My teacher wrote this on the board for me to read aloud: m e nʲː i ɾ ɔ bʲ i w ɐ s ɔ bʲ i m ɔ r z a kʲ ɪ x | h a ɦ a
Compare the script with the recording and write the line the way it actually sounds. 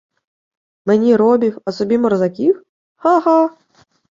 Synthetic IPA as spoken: m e nʲ i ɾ ɔ bʲ i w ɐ s ɔ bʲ i m ɔ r z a kʲ i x | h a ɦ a